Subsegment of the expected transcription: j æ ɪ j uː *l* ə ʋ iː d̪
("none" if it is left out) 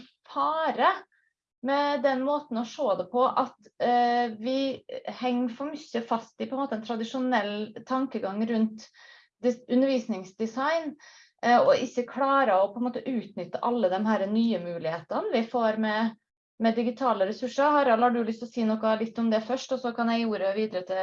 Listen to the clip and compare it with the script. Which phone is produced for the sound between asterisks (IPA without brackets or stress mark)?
ɾ